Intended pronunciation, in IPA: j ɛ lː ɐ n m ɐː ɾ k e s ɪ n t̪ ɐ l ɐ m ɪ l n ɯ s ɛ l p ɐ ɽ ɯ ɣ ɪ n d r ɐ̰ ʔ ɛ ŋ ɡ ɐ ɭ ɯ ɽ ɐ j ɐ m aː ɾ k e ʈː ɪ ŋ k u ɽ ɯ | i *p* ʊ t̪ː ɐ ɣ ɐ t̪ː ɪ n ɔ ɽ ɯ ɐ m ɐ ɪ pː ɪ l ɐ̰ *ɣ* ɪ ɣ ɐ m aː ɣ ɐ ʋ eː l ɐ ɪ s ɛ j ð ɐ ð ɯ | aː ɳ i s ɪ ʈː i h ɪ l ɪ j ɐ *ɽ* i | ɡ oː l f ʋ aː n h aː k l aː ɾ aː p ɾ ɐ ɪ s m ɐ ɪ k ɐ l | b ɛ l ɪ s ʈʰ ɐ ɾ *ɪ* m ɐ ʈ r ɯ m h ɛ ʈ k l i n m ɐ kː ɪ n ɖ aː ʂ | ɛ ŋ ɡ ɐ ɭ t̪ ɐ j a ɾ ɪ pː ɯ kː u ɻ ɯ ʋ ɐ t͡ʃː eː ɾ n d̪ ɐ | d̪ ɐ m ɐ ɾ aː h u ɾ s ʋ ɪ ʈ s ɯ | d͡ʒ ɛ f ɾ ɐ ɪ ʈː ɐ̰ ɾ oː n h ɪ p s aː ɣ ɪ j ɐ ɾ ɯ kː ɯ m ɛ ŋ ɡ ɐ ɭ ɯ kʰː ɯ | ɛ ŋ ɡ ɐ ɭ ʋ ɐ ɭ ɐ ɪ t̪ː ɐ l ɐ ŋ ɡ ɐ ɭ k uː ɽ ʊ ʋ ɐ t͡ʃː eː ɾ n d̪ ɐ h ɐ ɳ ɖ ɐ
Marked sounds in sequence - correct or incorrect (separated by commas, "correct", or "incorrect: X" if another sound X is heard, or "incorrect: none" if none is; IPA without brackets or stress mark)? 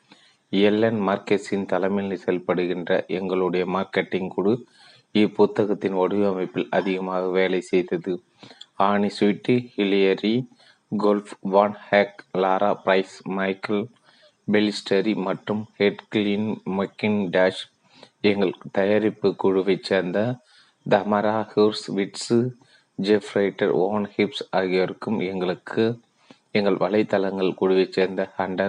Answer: correct, incorrect: ð, incorrect: ɾ, incorrect: i